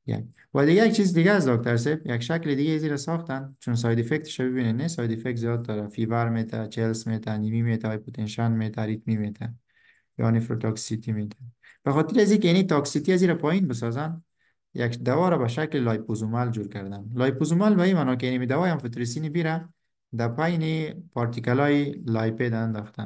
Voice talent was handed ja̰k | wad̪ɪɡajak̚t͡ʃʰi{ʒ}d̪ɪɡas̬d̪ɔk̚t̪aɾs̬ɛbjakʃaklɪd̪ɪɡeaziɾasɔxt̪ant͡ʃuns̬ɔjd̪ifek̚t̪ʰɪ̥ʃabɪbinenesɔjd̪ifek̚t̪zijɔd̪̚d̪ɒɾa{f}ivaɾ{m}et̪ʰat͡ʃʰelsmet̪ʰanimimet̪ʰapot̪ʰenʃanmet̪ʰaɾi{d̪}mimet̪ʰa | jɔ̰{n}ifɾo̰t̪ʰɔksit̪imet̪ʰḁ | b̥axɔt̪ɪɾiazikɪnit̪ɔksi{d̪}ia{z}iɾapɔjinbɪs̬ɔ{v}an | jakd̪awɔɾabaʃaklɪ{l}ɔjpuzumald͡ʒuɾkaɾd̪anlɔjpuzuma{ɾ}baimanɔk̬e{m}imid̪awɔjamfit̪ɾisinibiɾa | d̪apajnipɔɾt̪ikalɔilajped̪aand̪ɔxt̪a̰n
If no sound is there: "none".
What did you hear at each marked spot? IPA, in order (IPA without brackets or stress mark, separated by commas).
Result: z, f, m, t̪, n, t̪, z, z, l, l, n